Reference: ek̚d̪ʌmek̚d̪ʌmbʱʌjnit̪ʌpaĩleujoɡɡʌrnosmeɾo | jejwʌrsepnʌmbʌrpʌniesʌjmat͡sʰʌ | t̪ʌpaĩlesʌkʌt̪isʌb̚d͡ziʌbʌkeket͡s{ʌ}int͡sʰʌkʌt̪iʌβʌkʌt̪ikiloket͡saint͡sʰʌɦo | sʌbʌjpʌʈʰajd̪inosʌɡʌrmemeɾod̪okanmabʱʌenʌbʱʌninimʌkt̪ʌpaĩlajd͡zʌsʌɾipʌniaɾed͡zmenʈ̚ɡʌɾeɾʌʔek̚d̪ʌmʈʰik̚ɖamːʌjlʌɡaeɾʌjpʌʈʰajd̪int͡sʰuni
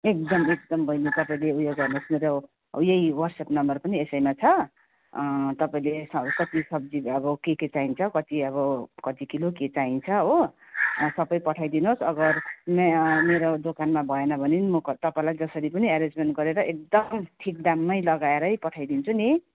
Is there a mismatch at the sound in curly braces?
yes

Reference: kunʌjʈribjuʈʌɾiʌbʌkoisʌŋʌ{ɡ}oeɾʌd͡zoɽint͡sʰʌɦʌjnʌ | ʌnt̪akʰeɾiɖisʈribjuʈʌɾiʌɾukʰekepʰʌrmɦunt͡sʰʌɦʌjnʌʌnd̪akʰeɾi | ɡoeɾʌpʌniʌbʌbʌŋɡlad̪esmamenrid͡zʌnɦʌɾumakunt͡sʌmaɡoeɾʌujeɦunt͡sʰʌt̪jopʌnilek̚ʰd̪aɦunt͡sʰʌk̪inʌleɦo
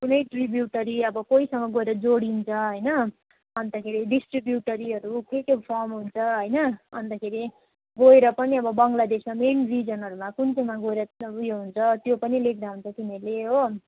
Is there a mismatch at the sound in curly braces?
no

